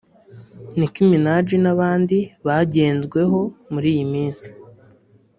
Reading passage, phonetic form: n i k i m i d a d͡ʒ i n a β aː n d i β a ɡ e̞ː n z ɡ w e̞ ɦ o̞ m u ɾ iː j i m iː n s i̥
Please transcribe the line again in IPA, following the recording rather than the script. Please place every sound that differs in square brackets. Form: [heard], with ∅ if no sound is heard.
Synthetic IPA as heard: n i k i m i [n] a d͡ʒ i n a β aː n d i β a [ɟ] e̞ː n z ɡ w e̞ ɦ o̞ m u ɾ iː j i m iː n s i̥